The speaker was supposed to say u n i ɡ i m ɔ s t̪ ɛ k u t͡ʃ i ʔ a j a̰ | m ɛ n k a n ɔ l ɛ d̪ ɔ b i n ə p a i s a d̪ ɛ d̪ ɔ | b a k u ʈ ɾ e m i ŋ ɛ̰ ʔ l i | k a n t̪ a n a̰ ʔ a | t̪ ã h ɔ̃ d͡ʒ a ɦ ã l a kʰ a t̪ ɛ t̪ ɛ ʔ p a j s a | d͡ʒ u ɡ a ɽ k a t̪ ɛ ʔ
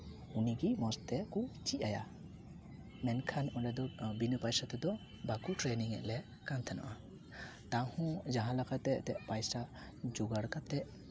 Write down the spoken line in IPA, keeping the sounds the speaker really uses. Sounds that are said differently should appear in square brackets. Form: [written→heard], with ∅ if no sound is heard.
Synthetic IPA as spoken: u n i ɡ i m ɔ s t̪ ɛ k u t͡ʃ i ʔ a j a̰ | m ɛ n [k→kʰ] a n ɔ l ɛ d̪ ɔ b i n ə p a [i→j] s a [d̪→t̪] ɛ d̪ ɔ | b a k u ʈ ɾ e [m→n] i ŋ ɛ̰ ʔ l [i→ɛ] | k a n [t̪→t̪ʰ] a n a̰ ʔ a | t̪ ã h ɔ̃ d͡ʒ a ɦ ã l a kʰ a t̪ ɛ t̪ ɛ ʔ p a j s a | d͡ʒ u ɡ a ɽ k a t̪ ɛ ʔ